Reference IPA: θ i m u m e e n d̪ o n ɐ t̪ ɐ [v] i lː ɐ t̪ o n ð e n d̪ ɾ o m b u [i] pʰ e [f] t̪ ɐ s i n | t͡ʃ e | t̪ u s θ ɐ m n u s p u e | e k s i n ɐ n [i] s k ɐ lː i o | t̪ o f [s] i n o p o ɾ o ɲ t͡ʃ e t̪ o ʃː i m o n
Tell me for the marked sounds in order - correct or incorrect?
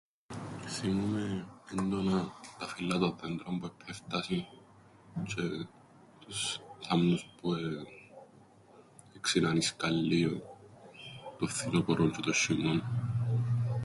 incorrect, incorrect, correct, correct, incorrect

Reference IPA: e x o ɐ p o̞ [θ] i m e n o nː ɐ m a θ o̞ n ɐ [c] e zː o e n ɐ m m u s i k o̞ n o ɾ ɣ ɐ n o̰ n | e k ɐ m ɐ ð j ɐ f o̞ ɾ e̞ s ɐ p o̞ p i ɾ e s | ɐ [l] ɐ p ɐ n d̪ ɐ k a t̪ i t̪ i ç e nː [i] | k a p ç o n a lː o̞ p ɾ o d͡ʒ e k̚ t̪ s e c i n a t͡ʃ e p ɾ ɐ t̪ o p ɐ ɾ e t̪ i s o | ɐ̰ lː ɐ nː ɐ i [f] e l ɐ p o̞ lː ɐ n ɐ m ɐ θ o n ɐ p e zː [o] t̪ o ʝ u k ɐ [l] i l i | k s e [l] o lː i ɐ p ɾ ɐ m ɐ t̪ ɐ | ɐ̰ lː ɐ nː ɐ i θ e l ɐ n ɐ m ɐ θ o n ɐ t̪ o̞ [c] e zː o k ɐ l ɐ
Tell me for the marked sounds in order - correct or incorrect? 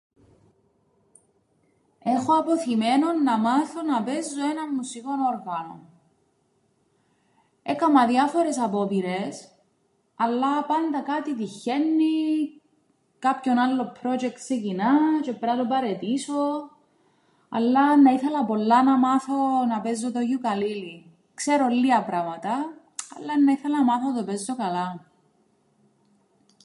correct, incorrect, incorrect, correct, incorrect, correct, correct, incorrect, incorrect

